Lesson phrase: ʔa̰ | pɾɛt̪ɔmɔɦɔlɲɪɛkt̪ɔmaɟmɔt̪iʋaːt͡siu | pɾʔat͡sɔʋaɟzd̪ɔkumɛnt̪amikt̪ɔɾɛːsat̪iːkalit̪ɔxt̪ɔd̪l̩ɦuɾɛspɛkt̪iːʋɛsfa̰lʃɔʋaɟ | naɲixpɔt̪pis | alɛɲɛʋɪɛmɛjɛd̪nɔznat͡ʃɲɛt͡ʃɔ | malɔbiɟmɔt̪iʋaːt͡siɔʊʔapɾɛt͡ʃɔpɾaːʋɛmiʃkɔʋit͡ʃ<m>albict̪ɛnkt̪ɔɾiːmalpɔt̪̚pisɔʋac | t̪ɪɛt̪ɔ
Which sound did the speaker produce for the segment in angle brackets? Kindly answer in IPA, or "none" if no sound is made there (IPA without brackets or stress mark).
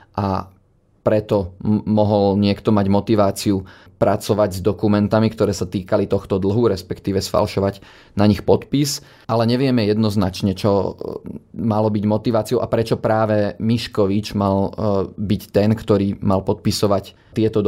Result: m